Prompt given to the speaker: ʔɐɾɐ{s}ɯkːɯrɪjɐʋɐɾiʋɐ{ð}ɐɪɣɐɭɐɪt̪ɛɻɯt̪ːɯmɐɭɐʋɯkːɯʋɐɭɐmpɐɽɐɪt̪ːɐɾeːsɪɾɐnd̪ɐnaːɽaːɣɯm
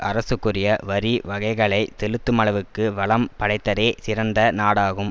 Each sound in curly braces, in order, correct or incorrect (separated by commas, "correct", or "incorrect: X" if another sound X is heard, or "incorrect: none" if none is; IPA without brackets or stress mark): correct, incorrect: ɣ